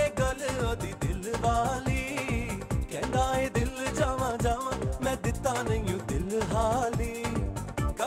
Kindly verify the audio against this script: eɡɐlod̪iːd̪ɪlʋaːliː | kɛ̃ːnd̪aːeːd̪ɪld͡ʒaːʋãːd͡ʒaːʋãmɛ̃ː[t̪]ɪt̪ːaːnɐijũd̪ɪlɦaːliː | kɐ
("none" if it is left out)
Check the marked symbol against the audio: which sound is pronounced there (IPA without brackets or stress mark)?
d̪